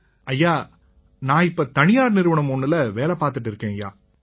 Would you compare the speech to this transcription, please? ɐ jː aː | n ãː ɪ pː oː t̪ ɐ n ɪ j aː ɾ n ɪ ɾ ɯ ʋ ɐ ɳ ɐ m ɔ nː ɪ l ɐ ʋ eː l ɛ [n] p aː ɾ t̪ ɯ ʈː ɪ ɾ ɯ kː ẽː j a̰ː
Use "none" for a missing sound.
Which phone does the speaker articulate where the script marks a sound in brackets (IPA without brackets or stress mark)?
none